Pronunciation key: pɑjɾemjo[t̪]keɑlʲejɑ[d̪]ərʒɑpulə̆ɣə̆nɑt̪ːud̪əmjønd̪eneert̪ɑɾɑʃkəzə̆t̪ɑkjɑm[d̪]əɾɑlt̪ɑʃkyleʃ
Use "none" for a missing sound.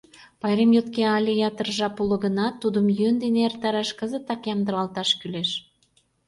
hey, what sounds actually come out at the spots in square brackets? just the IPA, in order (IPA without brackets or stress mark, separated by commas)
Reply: t̪, t̪, d̪